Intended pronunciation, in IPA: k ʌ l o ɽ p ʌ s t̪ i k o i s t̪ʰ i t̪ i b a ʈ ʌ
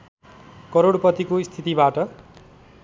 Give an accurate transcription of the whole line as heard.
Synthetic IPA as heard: k ʌ ɾ o ɽ p ʌ t̪ i k o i s t̪ʰ i t̪ i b a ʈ ʌ